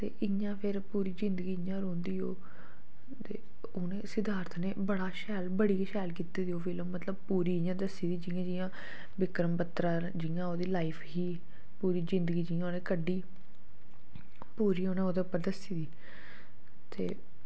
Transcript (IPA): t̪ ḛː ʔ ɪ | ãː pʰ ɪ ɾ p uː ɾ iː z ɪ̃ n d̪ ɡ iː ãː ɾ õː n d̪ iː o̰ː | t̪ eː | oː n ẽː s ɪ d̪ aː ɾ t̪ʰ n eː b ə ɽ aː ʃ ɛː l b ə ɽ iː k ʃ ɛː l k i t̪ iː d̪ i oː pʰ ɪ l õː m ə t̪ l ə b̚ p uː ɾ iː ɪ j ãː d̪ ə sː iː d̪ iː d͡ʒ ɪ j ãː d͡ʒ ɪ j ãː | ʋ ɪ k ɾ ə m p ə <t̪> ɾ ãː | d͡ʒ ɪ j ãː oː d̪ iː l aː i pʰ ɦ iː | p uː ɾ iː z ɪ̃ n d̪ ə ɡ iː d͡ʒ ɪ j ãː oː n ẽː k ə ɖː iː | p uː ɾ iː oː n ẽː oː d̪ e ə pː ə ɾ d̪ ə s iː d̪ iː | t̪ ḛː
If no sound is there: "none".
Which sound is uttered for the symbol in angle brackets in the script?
t̪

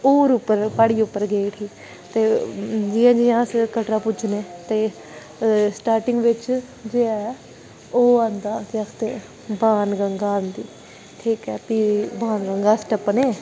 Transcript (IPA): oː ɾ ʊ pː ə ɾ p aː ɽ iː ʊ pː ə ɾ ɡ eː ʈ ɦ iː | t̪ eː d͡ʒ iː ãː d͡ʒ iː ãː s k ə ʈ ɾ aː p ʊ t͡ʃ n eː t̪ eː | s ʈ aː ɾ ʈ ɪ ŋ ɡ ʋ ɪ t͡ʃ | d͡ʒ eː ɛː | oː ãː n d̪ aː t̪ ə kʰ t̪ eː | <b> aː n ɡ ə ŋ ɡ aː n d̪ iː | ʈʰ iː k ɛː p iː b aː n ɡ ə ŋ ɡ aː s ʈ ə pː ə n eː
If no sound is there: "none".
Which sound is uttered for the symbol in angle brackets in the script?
b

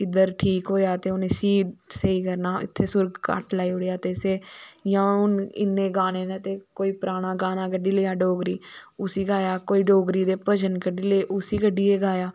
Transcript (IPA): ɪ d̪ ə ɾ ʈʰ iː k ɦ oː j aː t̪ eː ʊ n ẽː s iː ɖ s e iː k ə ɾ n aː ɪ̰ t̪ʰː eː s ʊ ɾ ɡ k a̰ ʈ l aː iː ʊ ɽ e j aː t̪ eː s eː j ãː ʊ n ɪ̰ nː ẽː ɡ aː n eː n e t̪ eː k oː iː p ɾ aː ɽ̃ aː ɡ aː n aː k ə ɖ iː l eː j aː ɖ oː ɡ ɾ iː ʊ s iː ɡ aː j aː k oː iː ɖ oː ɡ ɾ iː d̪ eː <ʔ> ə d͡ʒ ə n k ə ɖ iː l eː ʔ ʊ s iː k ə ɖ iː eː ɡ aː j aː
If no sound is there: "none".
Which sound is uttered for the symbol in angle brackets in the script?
p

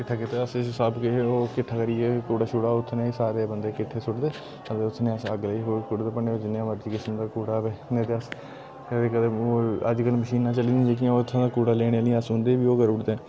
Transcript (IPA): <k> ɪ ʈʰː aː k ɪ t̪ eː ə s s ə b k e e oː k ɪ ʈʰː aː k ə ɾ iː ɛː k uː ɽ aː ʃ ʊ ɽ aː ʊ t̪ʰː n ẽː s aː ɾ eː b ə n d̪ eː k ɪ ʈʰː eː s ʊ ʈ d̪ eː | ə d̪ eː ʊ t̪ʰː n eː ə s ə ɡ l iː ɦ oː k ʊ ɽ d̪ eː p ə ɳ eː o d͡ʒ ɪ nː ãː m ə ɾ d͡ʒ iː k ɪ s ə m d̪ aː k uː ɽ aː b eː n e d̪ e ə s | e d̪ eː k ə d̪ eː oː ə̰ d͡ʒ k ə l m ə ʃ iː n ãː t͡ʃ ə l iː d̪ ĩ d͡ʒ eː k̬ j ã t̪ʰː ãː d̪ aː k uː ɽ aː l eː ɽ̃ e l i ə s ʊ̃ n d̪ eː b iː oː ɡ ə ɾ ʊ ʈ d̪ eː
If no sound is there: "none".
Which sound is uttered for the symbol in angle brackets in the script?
k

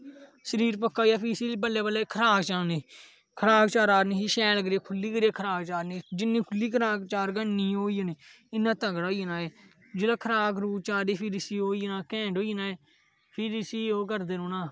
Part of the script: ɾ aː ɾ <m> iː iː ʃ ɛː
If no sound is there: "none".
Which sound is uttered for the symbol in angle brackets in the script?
n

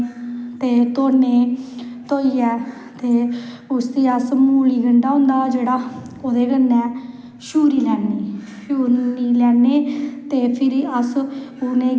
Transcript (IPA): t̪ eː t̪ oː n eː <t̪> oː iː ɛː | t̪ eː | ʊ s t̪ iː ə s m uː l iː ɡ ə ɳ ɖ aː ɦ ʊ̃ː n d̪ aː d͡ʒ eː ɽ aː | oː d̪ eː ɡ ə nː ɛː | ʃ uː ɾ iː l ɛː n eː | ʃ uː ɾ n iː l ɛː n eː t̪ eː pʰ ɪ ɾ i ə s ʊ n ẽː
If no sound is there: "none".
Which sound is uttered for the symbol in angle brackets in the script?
t̪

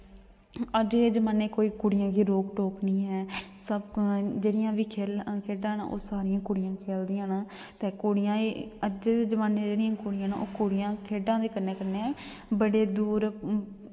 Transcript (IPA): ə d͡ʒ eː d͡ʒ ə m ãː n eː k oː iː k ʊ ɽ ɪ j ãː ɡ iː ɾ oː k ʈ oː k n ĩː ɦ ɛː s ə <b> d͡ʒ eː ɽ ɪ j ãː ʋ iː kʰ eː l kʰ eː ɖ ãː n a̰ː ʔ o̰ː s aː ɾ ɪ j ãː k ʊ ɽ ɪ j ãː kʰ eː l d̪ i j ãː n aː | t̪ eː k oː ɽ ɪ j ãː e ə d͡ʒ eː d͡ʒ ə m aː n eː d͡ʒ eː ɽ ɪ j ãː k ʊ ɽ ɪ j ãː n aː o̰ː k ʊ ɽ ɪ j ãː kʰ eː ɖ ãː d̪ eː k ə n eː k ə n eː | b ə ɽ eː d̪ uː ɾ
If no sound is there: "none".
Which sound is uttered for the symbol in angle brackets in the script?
b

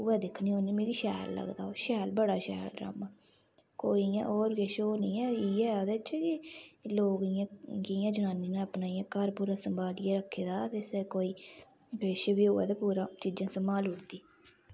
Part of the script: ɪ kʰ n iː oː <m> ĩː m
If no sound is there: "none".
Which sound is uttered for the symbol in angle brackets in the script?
n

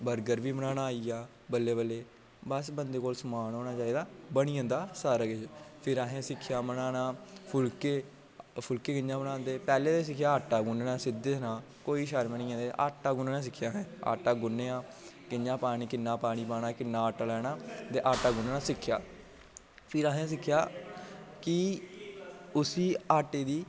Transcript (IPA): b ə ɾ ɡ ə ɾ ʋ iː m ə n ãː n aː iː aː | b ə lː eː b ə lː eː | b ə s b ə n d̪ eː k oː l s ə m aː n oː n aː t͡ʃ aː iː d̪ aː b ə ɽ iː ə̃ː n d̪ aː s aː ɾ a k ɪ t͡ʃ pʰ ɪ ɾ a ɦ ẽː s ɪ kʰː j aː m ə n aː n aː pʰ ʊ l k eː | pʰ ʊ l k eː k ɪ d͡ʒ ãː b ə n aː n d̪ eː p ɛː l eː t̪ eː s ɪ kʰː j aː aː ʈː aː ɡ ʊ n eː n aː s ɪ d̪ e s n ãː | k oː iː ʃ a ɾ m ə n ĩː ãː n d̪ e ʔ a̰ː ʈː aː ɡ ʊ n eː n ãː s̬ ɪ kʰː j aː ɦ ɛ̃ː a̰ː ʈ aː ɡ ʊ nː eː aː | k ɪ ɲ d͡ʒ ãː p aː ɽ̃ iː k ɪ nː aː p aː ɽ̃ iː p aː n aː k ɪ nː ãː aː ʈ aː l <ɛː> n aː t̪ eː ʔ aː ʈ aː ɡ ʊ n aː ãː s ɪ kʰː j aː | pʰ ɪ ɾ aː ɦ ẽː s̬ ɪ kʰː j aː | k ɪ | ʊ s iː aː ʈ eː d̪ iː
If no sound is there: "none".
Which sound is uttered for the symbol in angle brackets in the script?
ɛː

